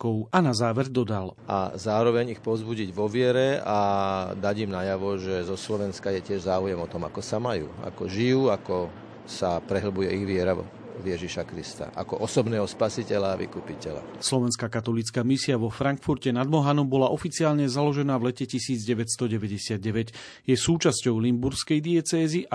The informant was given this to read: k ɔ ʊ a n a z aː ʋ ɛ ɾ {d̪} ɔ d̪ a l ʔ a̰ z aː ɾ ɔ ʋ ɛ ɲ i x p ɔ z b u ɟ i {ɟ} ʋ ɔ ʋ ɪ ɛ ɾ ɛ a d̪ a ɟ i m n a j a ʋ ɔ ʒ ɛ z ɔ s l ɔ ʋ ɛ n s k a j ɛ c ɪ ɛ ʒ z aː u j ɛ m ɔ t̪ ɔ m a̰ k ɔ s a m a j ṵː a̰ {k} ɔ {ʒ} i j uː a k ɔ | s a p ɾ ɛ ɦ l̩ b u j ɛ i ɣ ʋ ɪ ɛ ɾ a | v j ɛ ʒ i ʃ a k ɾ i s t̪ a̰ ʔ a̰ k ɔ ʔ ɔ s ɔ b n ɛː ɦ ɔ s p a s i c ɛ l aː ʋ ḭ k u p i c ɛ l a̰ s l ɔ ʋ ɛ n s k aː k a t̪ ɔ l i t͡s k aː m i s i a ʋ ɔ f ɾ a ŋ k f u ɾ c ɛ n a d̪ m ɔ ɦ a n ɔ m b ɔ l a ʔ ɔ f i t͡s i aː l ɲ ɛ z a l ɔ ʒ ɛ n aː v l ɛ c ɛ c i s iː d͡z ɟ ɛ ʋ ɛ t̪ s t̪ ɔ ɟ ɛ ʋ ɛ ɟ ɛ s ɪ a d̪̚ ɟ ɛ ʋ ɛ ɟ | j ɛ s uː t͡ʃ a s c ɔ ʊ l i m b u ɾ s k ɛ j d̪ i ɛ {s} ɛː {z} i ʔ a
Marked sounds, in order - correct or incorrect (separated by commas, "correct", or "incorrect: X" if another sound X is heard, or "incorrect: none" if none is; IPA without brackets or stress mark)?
correct, correct, correct, correct, incorrect: t͡s, correct